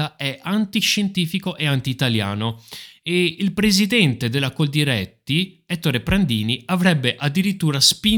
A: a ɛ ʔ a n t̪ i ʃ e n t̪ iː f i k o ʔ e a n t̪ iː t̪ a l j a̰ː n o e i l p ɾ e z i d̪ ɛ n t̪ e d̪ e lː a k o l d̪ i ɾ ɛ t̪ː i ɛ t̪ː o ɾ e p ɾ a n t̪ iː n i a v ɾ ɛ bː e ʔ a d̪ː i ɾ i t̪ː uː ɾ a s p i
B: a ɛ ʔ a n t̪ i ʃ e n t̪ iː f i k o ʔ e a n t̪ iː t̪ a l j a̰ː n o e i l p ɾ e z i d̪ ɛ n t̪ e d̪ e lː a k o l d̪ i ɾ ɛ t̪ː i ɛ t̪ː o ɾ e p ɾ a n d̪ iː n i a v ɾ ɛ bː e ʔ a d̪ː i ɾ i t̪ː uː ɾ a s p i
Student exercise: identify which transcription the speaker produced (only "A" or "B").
B